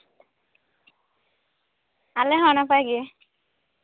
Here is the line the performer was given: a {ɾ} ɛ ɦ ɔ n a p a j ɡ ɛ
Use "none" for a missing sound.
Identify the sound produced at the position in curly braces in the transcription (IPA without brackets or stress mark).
l